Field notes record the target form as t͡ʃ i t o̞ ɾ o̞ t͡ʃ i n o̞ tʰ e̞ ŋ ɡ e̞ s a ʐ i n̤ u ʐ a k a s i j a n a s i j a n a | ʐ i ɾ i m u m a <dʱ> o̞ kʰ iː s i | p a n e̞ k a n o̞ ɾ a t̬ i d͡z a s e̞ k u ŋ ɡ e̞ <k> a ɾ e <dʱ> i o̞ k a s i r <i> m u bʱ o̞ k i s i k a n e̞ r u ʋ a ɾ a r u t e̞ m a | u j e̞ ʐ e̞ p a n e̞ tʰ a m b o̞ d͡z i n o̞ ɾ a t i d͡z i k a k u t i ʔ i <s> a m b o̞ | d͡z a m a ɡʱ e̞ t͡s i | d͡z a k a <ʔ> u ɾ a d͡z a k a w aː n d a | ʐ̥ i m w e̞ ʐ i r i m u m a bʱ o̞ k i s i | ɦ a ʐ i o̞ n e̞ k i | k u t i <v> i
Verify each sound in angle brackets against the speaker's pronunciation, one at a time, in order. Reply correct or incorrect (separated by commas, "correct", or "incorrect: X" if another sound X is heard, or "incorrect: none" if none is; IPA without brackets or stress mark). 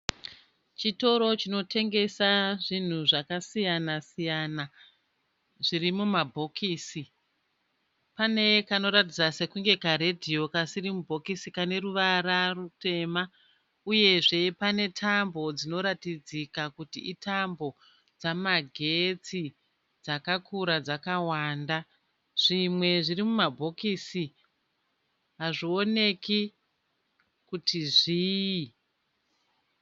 incorrect: bʱ, correct, correct, correct, incorrect: t, incorrect: k, incorrect: ʐ